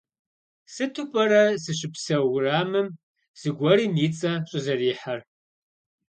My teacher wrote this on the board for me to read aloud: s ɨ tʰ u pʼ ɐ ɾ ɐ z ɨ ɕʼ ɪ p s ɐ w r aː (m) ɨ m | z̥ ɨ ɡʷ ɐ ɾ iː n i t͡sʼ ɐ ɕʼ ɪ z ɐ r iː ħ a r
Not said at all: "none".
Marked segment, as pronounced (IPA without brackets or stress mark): m